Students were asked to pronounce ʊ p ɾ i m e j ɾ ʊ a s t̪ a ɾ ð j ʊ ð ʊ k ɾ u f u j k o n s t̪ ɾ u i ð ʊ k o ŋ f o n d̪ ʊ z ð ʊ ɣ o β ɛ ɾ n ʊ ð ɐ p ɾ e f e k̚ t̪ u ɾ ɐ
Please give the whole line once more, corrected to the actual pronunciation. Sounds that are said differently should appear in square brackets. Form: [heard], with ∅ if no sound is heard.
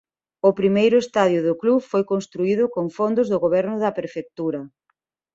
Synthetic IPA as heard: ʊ p ɾ i m e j ɾ ʊ [e] s t̪ a [∅] ð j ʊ ð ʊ k [l] u f [o] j k o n s t̪ ɾ u i ð ʊ k o ŋ f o n d̪ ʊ z ð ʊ ɣ o β ɛ ɾ n ʊ ð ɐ p ɾ e f e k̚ t̪ u ɾ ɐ